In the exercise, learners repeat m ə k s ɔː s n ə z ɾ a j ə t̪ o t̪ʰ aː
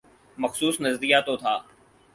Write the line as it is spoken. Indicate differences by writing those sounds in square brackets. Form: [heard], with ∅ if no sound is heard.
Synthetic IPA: m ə [x] s [uː] s n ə z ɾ [i] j [a] t̪ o t̪ʰ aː